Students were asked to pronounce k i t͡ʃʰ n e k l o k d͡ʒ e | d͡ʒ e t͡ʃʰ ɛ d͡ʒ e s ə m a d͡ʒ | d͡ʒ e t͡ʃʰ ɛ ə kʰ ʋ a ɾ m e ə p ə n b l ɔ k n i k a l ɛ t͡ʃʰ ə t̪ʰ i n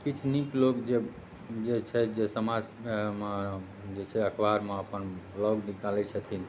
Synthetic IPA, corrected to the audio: k i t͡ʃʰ n i k l o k d͡ʒ e | d͡ʒ e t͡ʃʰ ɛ d͡ʒ e s ə m a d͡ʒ | d͡ʒ e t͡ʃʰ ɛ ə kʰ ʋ a ɾ m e ə p ə n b l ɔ ɡ n i k a l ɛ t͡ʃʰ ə t̪ʰ i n